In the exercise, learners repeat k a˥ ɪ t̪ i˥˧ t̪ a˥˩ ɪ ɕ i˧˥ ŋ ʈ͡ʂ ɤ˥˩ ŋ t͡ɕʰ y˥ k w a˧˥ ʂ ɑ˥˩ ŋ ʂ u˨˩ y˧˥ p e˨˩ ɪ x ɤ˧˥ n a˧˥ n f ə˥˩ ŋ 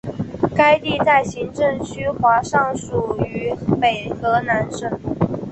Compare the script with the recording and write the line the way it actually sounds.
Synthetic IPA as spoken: k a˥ ɪ t̪ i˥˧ t̪ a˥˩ ɪ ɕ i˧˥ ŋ ʈ͡ʂ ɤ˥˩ ŋ t͡ɕʰ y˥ x w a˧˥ ʂ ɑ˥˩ ŋ ʂ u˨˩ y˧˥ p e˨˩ ɪ x ɤ˧˥ n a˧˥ n ʂ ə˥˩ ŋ